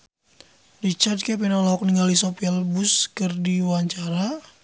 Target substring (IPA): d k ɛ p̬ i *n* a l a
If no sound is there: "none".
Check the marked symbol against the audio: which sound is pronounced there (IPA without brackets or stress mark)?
n